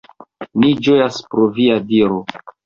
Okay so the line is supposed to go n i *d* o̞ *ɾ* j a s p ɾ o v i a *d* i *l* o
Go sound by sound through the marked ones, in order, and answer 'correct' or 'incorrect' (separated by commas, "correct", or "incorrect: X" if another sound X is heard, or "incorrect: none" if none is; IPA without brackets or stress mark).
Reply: incorrect: d͡ʒ, incorrect: none, correct, incorrect: ɾ